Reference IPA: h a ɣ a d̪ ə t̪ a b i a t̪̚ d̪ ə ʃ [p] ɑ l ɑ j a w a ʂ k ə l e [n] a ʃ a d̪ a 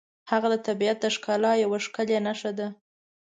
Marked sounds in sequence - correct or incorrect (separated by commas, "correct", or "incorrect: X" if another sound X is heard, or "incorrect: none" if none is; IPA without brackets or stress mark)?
incorrect: k, correct